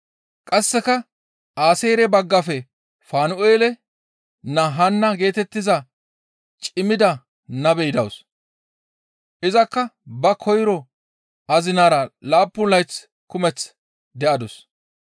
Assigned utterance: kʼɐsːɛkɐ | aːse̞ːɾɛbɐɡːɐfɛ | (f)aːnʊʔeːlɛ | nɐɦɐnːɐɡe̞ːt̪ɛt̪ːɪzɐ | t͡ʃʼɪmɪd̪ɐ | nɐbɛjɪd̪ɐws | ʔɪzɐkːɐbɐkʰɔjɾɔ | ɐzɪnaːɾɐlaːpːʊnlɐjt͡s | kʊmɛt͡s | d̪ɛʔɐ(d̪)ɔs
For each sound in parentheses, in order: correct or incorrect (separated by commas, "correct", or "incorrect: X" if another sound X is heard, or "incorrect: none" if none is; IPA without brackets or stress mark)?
correct, correct